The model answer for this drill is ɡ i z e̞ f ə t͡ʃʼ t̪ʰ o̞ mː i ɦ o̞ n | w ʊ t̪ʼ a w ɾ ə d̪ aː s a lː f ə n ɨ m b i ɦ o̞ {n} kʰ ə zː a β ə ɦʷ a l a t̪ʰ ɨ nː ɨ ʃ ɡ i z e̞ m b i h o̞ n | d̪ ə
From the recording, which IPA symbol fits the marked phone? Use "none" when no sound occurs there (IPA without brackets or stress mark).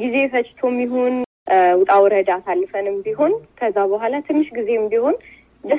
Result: n